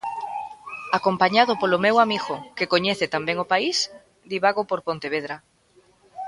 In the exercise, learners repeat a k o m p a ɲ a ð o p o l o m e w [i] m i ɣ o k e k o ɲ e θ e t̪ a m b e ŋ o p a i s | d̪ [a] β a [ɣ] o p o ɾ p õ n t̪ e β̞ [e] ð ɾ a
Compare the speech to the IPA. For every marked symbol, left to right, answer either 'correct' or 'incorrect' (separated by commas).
incorrect, incorrect, correct, correct